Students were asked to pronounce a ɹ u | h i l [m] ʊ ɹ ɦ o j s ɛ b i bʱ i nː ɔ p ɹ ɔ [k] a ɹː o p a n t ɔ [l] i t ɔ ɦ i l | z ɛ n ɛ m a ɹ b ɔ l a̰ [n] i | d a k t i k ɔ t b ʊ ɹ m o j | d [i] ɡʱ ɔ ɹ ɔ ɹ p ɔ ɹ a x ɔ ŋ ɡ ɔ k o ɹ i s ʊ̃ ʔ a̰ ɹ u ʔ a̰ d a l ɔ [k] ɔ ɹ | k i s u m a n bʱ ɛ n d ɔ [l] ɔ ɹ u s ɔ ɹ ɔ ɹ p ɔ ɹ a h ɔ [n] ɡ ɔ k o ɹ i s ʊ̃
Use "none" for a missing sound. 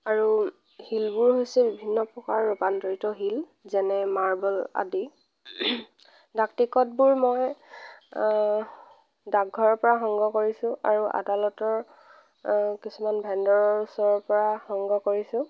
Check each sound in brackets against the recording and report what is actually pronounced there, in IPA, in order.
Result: b, k, ɹ, d, a, t, ɹ, ŋ

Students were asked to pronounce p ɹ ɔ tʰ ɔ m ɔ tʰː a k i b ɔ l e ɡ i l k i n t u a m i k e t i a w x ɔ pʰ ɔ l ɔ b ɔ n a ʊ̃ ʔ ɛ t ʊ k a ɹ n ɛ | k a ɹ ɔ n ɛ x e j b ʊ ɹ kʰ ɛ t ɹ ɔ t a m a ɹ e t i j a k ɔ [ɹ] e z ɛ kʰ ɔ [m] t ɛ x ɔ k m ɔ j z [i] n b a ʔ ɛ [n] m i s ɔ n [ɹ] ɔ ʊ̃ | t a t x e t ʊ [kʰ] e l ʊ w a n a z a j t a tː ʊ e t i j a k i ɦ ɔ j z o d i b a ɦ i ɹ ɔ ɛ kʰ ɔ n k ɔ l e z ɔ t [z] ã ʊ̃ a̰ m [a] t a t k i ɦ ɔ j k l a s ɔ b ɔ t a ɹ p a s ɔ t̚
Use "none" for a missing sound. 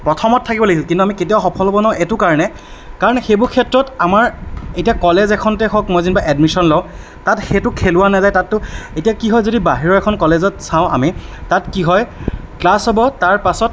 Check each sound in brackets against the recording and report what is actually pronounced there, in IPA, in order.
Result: l, n, i, d, l, kʰ, s, i

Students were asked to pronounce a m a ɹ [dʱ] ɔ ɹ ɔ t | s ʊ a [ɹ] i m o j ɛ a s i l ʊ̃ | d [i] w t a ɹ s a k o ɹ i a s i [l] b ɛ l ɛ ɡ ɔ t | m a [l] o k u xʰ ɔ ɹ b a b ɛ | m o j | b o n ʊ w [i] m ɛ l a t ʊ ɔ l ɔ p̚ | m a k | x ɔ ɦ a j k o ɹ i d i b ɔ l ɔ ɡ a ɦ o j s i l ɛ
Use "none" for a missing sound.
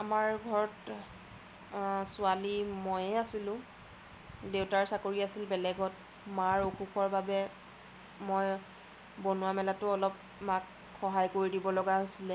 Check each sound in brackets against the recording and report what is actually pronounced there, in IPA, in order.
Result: ɡʱ, l, e, l, ɹ, a

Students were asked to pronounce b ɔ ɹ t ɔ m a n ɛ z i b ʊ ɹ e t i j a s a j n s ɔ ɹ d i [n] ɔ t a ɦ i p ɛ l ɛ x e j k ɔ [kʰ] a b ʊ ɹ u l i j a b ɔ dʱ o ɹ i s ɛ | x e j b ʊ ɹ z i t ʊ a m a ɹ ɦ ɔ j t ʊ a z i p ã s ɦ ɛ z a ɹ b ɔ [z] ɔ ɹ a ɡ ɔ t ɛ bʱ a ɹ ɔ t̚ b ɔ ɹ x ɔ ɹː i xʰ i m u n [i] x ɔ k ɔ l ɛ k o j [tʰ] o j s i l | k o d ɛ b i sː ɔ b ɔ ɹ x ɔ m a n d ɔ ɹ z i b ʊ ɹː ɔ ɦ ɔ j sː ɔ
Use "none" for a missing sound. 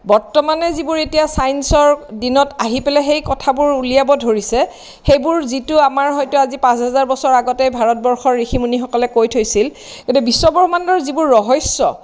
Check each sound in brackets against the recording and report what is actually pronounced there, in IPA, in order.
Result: n, tʰ, s, i, tʰ

